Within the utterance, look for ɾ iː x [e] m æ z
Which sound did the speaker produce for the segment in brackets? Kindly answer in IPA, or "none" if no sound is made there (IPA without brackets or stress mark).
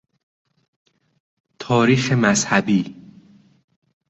e